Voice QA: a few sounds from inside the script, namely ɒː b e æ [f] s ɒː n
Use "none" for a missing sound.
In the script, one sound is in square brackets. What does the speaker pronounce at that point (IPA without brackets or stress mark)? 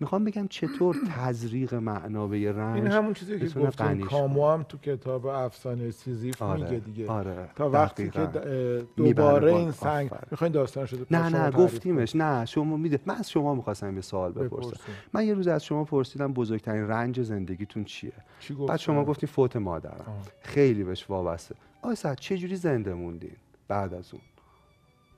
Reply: f